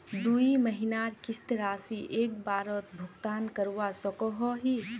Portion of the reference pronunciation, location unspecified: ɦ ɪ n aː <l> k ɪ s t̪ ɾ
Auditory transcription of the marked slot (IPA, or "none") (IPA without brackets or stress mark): ɾ